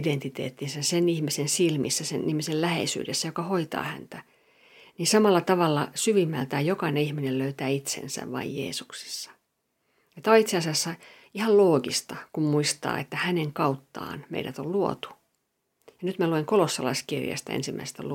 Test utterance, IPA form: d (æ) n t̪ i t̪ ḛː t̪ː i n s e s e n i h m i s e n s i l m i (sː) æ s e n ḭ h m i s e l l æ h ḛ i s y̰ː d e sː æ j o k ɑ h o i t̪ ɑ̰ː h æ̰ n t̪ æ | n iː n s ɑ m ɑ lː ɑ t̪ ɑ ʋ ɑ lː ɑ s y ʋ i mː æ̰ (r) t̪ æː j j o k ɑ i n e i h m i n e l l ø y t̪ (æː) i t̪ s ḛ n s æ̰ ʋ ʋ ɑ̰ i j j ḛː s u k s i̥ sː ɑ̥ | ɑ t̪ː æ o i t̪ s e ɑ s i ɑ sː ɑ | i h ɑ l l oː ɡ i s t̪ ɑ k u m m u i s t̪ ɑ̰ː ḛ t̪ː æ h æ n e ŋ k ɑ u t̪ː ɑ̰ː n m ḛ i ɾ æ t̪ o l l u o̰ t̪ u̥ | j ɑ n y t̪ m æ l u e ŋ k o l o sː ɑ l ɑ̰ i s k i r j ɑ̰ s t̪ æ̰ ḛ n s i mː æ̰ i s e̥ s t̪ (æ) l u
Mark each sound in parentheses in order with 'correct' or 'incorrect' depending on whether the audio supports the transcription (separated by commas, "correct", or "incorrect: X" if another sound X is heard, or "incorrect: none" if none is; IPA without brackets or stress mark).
incorrect: e, correct, incorrect: l, correct, correct